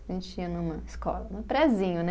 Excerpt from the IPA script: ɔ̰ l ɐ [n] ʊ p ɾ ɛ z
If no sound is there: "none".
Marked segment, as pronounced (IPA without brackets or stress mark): n